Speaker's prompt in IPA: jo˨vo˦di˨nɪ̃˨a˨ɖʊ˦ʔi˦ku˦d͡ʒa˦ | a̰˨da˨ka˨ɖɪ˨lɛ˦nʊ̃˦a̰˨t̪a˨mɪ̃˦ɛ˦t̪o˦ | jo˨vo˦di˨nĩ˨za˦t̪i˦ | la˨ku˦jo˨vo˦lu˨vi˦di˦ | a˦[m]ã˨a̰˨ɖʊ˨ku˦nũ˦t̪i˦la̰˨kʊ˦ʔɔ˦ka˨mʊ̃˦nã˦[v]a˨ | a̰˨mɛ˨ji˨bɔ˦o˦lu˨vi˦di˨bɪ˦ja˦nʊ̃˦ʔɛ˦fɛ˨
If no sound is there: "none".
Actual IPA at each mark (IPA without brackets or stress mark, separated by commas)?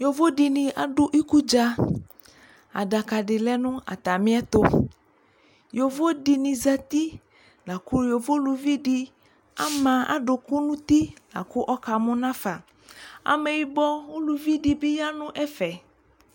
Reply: m, f